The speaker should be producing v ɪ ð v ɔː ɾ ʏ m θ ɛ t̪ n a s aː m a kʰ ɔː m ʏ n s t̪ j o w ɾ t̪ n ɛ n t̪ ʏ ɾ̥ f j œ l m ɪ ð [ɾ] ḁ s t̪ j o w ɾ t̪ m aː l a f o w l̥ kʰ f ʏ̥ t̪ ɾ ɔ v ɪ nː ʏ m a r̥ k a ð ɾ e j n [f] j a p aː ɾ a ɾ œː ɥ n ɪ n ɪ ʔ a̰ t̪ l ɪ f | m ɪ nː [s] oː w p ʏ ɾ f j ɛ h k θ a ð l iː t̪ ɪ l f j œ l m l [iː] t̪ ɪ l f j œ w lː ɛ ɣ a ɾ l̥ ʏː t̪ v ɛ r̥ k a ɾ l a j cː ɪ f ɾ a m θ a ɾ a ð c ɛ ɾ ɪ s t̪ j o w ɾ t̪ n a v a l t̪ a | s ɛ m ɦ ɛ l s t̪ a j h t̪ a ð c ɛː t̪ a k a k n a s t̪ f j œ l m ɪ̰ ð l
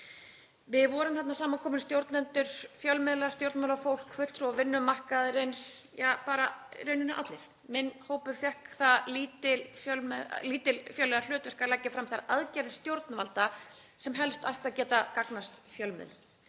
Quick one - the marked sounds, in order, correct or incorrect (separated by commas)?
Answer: incorrect, incorrect, incorrect, correct